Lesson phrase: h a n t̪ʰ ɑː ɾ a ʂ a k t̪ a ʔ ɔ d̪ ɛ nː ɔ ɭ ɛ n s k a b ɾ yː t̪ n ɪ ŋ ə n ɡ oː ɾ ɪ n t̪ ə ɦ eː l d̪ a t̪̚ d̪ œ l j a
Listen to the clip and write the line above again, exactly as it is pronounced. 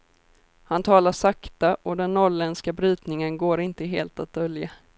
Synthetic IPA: h a n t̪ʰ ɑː l a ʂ a k t̪ a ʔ ɔ d̪ ɛ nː ɔ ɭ ɛ n s k a b ɾ yː t̪ n ɪ ŋ ə n ɡ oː ɾ ɪ n t̪ ə ɦ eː l t̪ a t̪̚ d̪ œ l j a

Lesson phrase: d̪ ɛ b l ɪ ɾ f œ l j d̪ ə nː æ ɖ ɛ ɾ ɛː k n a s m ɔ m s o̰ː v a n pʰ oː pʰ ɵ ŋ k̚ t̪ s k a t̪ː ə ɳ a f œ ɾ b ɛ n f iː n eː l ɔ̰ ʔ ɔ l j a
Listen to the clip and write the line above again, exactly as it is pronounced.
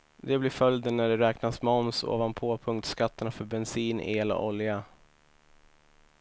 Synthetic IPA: d̪ ɛ b l ɪ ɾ f œ l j d̪ ə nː æ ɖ ɛ ɾ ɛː k n a s m ɔ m s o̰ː v a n pʰ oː pʰ ɵ ŋ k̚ t̪ s k a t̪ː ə ɳ a f œ ɾ b ɛ n s iː n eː l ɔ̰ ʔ ɔ l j a

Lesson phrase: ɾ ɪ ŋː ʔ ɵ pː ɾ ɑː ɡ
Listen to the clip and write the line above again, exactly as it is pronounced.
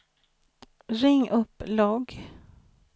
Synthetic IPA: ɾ ɪ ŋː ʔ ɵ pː l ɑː ɡ

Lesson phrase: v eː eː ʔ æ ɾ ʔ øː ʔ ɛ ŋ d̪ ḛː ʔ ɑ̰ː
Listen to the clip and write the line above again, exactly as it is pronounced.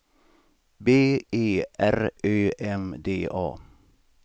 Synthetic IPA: b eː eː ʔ æ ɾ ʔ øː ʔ ɛ m d̪ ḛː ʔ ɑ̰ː

